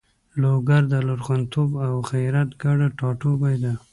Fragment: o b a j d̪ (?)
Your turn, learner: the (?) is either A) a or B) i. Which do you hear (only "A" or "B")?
A